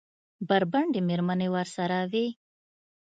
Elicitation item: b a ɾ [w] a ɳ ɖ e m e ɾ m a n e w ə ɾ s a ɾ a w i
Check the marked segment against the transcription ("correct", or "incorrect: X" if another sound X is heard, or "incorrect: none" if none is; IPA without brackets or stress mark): incorrect: b